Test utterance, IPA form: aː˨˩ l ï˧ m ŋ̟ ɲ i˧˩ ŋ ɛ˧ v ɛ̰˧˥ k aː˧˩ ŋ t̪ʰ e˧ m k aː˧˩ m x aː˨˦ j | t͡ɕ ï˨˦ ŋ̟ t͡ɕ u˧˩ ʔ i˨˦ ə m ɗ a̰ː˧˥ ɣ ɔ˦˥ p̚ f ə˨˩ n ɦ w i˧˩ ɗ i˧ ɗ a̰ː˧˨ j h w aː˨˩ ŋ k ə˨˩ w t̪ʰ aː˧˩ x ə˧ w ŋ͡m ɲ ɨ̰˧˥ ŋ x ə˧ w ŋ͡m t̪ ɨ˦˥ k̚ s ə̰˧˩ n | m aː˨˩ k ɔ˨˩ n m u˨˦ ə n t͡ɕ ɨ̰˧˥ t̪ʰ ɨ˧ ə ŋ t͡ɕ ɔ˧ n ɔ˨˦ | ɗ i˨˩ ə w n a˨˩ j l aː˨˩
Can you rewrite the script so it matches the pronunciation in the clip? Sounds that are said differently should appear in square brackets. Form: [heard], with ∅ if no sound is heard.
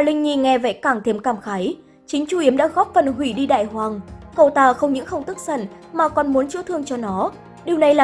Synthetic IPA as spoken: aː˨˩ l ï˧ [∅] ŋ̟ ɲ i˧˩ ŋ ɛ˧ v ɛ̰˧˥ k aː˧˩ ŋ t̪ʰ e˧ m k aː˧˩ m x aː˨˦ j | t͡ɕ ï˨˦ ŋ̟ t͡ɕ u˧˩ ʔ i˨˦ ə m ɗ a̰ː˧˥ ɣ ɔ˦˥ p̚ f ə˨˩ n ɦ w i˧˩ ɗ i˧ ɗ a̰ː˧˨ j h w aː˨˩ ŋ k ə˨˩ w [t̪] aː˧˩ x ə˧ w ŋ͡m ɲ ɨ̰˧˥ ŋ x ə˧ w ŋ͡m t̪ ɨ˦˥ k̚ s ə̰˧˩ n | m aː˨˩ k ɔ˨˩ n m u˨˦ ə n t͡ɕ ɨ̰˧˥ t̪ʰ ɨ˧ ə ŋ t͡ɕ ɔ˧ n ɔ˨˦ | ɗ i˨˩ ə w n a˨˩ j l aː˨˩